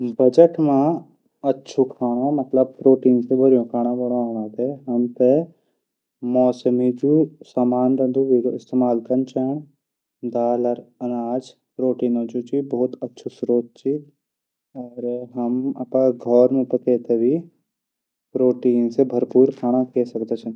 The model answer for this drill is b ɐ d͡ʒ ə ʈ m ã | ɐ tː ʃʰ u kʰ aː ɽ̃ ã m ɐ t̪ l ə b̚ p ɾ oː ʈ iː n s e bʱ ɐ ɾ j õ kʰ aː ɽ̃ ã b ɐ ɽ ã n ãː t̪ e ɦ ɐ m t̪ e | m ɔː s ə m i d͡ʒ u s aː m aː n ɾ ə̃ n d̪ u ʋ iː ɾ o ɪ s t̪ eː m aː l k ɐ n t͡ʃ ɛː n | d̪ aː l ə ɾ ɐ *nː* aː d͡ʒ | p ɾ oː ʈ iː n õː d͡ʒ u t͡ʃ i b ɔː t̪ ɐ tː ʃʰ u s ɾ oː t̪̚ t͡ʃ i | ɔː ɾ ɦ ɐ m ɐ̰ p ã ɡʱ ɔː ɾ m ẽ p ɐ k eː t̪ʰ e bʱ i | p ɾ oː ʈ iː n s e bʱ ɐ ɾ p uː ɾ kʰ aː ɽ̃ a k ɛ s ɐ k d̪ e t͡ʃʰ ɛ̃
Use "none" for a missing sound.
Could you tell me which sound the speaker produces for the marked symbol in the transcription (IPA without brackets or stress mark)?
n